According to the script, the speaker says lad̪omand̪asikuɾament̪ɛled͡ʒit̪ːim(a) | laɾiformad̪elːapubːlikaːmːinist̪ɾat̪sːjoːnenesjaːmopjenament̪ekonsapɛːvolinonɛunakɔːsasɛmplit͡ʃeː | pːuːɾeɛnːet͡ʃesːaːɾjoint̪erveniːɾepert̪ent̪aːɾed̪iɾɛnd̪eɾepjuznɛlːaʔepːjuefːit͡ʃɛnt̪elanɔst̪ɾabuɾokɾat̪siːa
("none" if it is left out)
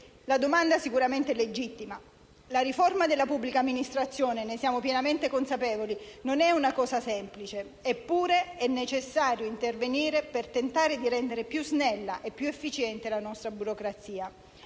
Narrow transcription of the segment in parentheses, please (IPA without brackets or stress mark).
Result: a